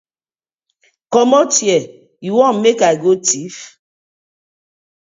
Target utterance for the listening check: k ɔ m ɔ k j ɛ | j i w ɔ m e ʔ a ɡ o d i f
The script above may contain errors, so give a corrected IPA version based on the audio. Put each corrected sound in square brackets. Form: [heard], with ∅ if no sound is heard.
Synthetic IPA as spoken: k ɔ m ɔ [t] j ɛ | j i w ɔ m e [k] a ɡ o [t] i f